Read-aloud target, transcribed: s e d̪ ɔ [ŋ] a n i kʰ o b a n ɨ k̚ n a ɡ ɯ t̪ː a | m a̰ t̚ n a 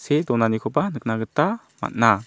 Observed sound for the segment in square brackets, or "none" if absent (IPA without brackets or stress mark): n